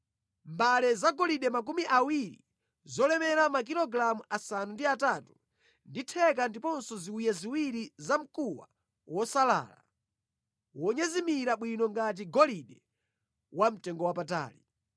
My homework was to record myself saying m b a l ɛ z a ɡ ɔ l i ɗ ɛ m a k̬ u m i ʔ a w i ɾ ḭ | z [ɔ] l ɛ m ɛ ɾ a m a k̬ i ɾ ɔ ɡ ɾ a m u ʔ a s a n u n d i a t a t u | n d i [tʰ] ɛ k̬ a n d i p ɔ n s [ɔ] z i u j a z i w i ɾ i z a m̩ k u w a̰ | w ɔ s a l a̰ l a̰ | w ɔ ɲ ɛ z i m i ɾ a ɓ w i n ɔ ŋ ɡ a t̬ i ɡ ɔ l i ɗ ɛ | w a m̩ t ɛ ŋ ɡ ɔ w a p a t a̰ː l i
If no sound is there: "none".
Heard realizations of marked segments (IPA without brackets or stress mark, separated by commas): ɔ, tʰ, ɔ